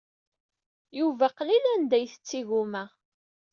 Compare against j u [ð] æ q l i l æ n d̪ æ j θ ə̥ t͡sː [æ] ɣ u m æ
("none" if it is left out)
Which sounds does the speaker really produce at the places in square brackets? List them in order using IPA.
v, i

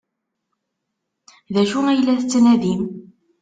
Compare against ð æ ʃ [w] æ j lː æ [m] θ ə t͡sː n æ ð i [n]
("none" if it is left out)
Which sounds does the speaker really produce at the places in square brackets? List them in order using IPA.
u, none, m

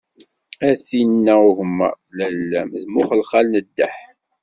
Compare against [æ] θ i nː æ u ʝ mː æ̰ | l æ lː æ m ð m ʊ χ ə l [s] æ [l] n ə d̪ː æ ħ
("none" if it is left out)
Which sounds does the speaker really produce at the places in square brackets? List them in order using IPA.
æ, χ, l

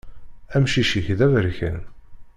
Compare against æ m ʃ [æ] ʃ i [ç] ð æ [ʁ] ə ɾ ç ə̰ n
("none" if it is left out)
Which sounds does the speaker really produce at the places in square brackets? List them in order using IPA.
i, ç, v

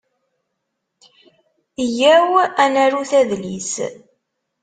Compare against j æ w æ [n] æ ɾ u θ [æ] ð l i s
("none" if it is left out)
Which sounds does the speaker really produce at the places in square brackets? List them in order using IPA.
n, æ

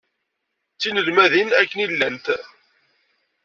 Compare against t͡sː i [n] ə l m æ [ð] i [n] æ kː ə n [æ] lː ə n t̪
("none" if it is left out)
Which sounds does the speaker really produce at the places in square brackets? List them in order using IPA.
n, ð, n, i

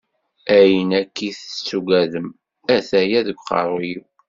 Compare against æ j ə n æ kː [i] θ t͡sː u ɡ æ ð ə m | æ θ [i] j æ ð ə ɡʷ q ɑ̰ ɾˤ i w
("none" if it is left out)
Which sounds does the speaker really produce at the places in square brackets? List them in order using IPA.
i, æ

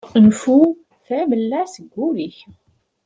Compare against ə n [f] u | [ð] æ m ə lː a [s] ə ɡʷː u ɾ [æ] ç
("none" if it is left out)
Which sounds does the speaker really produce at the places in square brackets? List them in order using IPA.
f, θ, s, i

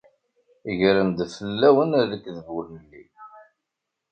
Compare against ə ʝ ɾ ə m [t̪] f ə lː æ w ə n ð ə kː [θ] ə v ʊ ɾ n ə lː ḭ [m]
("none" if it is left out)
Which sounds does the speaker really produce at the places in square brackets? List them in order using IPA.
d̪, ð, none

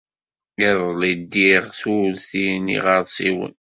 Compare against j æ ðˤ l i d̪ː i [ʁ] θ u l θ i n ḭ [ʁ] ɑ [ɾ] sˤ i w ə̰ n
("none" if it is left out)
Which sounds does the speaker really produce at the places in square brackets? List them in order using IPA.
ʁ, ʁ, ɾ

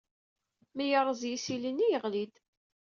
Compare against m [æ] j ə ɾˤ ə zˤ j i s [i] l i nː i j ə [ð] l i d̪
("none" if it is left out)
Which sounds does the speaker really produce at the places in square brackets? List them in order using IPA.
i, i, ʁ

